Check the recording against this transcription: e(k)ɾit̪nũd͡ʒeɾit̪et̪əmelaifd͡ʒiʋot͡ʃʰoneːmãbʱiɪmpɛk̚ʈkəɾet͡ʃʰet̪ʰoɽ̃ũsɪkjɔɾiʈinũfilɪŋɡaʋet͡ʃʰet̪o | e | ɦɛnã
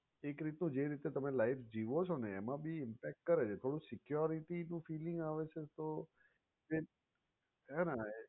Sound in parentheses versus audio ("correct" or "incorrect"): correct